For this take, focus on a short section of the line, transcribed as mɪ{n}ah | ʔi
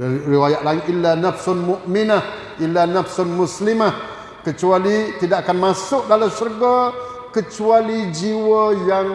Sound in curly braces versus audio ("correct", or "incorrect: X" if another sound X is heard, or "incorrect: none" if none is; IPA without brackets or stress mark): correct